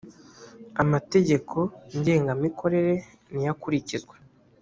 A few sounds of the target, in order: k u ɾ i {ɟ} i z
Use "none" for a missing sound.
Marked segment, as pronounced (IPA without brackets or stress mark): c